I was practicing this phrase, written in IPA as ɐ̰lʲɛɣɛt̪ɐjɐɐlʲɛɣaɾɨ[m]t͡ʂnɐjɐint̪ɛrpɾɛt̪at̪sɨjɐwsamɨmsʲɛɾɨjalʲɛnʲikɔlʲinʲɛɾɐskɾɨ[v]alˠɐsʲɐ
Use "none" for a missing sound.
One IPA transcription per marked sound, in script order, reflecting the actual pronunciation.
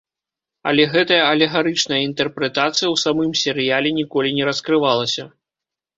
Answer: none, v

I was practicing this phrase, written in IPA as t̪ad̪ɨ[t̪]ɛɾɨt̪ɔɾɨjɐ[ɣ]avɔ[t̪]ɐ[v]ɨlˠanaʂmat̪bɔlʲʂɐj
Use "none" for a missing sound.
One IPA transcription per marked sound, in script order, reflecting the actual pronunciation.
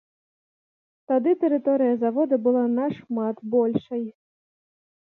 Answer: t̪, z, d̪, b

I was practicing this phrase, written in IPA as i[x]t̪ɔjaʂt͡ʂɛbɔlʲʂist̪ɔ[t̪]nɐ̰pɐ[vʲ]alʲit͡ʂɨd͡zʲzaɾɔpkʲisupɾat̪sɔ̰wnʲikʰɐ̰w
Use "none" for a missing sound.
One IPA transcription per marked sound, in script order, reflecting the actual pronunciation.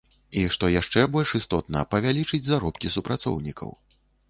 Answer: ʂ, t̪, vʲ

